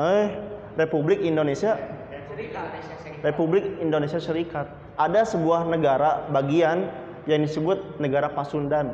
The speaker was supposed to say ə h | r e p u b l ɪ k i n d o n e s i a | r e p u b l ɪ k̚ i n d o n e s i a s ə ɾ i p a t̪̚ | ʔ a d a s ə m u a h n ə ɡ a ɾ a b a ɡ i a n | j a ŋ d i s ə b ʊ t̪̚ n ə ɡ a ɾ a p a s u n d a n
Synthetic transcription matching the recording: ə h | r e p u b l ɪ k i n d o n e s i a | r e p u b l ɪ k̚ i n d o n e s i a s ə ɾ i k a t̪̚ | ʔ a d a s ə b u a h n ə ɡ a ɾ a b a ɡ i a n | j a ŋ d i s ə b ʊ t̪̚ n ə ɡ a ɾ a p a s u n d a n